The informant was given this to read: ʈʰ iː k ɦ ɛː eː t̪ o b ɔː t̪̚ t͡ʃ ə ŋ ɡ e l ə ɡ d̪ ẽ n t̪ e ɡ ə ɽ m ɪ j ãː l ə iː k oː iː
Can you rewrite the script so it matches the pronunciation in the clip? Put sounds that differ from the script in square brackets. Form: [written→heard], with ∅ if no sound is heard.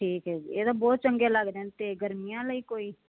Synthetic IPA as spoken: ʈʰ iː k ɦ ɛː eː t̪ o b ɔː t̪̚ t͡ʃ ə ŋ ɡ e l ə ɡ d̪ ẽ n t̪ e ɡ ə [ɽ→ɾ] m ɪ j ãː l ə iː k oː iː